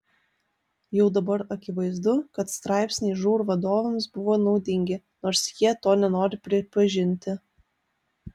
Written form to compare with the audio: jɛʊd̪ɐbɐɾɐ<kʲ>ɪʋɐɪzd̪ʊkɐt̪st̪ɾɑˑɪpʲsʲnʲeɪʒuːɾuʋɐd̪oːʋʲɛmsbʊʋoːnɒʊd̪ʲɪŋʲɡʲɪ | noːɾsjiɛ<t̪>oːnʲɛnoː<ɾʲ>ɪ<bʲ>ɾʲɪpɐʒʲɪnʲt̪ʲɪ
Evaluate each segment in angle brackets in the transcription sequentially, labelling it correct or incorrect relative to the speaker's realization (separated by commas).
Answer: correct, correct, correct, incorrect